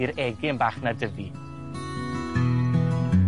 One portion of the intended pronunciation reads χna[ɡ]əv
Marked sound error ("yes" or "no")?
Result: yes